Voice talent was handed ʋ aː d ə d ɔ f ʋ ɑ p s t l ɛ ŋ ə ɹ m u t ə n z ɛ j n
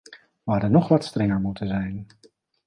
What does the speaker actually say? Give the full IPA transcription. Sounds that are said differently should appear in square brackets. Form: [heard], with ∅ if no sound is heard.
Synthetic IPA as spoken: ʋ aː d ə [n] ɔ [χ] ʋ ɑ [t] s t [r] ɛ ŋ ə ɹ m u t ə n z ɛ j n